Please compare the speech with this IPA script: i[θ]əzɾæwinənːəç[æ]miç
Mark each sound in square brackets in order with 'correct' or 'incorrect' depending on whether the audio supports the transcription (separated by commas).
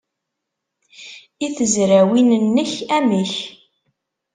correct, correct